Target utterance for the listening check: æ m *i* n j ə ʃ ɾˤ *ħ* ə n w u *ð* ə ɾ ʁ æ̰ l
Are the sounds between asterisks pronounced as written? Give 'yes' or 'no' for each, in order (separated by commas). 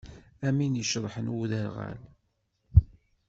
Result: yes, yes, yes